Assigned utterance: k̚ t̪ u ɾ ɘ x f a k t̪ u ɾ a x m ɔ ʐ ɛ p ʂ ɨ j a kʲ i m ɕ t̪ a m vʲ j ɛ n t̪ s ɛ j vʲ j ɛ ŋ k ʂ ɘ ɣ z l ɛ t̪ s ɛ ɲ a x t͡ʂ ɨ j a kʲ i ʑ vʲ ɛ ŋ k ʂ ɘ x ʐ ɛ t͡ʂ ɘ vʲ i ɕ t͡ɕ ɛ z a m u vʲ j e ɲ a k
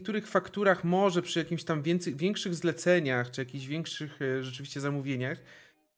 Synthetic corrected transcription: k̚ t̪ u ɾ ɘ x f a k t̪ u ɾ a x m ɔ ʐ ɛ p ʂ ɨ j a kʲ i m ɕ t̪ a m vʲ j ɛ n t̪ s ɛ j vʲ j ɛ ŋ k ʂ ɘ ɣ z l ɛ t̪ s ɛ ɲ a x t͡ʂ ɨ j a kʲ i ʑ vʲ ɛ ŋ k ʂ ɘ x ʐ ɛ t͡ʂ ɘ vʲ i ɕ t͡ɕ ɛ z a m u vʲ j e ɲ a x